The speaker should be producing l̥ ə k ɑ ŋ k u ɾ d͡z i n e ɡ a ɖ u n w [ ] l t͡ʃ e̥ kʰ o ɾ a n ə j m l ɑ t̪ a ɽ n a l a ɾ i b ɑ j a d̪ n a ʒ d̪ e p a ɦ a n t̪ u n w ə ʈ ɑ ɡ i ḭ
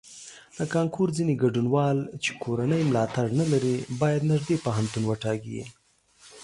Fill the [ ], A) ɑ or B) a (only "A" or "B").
A